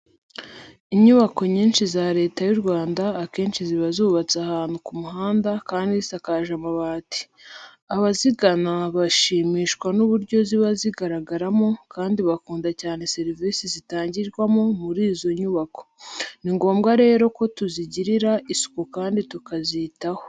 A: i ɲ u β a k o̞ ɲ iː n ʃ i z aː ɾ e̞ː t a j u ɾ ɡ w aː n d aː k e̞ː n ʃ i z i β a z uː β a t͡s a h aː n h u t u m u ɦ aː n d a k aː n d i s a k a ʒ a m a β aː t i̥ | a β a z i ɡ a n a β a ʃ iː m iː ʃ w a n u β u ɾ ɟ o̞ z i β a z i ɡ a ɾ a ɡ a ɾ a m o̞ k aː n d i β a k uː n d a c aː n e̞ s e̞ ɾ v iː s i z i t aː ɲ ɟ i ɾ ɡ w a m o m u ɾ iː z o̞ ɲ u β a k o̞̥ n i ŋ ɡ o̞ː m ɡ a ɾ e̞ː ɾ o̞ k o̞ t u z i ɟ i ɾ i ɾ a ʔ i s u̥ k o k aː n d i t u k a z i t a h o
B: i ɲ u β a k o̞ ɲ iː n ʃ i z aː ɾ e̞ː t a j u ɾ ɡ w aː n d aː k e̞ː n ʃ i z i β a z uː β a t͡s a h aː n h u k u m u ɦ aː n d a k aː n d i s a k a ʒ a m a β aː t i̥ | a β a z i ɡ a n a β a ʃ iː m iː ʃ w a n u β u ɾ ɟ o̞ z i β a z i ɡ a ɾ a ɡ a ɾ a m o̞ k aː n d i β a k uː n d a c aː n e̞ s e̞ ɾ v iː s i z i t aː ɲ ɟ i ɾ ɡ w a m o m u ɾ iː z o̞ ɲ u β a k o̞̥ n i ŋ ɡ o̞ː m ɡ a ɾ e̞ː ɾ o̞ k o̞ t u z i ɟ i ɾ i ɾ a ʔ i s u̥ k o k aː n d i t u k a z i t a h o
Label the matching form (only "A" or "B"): B